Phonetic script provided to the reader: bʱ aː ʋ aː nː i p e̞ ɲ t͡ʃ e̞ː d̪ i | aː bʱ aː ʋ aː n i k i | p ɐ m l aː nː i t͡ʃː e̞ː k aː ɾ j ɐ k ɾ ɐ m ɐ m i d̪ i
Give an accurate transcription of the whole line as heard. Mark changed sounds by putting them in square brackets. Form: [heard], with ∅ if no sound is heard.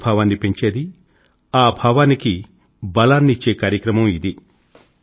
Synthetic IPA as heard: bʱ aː ʋ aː nː i p e̞ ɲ t͡ʃ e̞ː d̪ i | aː bʱ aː ʋ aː n i k i | [b] ɐ [∅] l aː nː i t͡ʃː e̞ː k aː ɾ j ɐ k ɾ ɐ m ɐ m i d̪ i